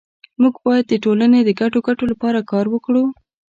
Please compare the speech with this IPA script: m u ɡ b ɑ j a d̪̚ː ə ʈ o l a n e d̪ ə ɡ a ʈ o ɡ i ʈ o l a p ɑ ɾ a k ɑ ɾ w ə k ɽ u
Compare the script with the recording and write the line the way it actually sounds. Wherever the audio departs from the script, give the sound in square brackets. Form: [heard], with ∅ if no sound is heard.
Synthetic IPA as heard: m u ɡ b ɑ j a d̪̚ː ə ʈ o l a n e d̪ ə ɡ a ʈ o ɡ [a] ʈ o l a p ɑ ɾ a k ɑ ɾ w ə k ɽ u

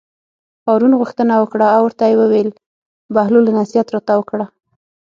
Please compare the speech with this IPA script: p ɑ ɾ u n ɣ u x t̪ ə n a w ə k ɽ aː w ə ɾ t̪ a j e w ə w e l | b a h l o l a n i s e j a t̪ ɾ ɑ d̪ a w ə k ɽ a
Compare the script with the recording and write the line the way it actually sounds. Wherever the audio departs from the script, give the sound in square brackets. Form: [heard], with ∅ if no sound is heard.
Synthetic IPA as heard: p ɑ ɾ u n ɣ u x t̪ ə n a w ə k ɽ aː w ə ɾ t̪ a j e w ə w e l | b a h l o l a n [a] s [i] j a t̪ ɾ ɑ [t̪] a w ə k ɽ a

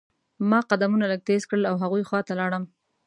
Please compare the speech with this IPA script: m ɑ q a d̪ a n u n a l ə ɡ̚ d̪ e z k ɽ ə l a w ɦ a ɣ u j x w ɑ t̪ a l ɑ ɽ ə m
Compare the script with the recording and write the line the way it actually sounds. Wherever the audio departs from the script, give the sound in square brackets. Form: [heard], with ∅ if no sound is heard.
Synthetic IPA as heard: m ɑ q a d̪ a [m] u n a l ə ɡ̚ [t̪] e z k ɽ ə l a w ɦ a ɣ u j x w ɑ t̪ a l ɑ ɽ ə m

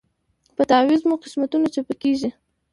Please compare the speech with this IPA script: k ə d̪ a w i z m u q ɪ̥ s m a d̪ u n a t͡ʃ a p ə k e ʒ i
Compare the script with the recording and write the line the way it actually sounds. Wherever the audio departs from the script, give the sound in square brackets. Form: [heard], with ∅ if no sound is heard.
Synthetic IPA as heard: [p] ə [t̪] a w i z m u q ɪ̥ s m a [t̪] u n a t͡ʃ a p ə k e ʒ i

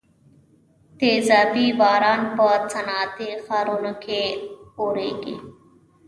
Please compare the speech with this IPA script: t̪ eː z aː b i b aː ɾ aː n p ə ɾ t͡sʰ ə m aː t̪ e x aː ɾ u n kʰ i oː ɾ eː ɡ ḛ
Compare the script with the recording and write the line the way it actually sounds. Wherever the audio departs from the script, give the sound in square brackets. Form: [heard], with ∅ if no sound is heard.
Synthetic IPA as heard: t̪ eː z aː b i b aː ɾ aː n p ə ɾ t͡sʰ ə [n] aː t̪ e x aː ɾ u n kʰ [e] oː ɾ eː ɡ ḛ

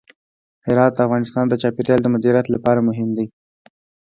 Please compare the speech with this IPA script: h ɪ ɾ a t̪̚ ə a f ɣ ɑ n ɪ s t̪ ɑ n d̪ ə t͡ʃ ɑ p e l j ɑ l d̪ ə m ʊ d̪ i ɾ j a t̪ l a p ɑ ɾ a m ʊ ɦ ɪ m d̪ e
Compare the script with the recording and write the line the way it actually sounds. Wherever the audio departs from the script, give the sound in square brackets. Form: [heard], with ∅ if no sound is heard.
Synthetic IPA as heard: h ɪ ɾ [ɑ] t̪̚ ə a f ɣ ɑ n ɪ s t̪ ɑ n d̪ ə t͡ʃ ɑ p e [ɾ] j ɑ l d̪ ə m ʊ d̪ i ɾ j a t̪ l a p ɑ ɾ a m ʊ ɦ ɪ m d̪ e

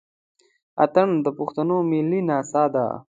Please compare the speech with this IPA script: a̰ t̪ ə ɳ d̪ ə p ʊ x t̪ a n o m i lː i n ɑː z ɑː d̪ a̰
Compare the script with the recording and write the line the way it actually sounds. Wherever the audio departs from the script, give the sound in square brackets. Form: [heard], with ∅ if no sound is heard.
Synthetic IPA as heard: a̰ t̪ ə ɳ d̪ ə p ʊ x t̪ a n o m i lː i n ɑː [s] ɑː d̪ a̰

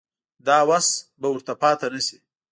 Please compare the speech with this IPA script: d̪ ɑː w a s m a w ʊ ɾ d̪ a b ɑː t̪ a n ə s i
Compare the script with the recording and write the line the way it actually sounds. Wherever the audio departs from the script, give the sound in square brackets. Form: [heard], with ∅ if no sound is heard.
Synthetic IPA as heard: d̪ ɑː w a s [b] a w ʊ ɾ [t̪] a [p] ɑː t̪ a n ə s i

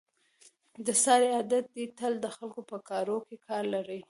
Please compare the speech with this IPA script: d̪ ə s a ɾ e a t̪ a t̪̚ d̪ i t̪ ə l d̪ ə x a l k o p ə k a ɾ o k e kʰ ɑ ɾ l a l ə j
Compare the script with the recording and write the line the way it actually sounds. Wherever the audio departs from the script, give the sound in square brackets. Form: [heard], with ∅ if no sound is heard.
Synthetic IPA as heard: d̪ ə s [ɑ] ɾ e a [d̪] a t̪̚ d̪ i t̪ ə l d̪ ə x a l k o p ə k [ɑ] ɾ o k e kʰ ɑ ɾ l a [ɾ] ə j

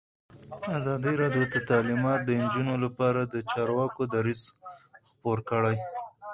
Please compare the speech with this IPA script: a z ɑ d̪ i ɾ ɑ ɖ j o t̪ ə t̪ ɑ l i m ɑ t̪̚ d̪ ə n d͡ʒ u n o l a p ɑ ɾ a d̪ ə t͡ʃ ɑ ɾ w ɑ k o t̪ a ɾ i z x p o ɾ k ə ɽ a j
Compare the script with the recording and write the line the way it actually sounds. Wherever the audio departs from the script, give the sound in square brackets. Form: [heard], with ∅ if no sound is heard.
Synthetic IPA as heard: a z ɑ d̪ i ɾ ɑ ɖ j o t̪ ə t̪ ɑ l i m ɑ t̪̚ d̪ ə n d͡ʒ u n o l a p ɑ ɾ a d̪ ə t͡ʃ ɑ ɾ w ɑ k o [d̪] a ɾ i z x p o ɾ k ə ɽ a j

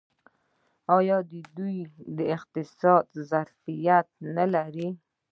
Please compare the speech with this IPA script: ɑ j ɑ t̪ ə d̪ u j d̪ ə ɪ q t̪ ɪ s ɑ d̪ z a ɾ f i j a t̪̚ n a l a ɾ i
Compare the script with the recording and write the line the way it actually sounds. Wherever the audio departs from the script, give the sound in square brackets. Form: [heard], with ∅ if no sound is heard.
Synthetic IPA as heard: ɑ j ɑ [d̪] ə d̪ u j d̪ ə ɪ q t̪ ɪ s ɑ d̪ z a ɾ f i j a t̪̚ n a l a ɾ i

